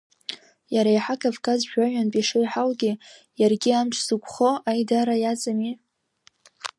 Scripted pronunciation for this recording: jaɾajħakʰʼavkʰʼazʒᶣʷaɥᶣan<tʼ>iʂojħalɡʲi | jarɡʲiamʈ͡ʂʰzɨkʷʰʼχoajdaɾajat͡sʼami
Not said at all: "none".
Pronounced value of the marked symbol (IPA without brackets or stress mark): pʼ